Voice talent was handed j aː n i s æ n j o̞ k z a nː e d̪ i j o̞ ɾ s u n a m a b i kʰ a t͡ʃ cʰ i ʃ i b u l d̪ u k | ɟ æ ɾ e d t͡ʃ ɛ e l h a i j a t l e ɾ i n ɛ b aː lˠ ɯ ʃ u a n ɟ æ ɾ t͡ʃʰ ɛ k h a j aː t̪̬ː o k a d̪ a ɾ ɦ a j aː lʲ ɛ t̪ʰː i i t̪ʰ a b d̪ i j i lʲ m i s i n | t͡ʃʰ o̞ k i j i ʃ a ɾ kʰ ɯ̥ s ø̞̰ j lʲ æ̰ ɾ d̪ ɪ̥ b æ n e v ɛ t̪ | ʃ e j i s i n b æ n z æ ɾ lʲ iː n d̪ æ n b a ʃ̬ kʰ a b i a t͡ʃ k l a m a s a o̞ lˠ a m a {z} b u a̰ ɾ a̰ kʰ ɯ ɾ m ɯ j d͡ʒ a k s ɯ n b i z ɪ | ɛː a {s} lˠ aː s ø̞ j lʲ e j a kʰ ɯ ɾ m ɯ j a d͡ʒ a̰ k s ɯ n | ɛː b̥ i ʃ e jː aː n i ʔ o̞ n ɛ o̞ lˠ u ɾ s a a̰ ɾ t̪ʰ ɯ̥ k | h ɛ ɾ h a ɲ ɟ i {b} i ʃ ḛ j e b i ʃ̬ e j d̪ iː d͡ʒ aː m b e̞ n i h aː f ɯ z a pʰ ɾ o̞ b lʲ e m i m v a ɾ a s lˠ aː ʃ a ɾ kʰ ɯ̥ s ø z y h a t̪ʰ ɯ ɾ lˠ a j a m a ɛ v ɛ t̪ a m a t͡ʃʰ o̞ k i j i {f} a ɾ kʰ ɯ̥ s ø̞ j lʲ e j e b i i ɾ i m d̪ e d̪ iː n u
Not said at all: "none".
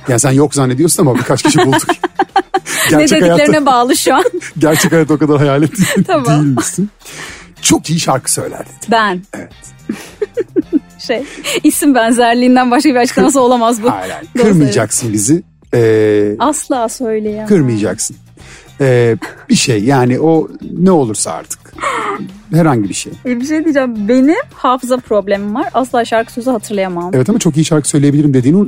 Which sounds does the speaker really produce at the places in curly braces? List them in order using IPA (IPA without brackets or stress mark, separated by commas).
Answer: z, s, b, ʃ